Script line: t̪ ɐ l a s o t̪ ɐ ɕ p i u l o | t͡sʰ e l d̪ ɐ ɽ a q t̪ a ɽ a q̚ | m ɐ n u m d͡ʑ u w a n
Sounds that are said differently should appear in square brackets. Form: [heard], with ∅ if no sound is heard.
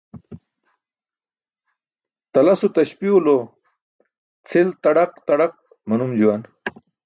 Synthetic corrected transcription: t̪ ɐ l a s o t̪ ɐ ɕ p i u l o | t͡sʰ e l [t̪] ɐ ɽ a q t̪ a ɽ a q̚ | m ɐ n u m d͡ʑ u w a n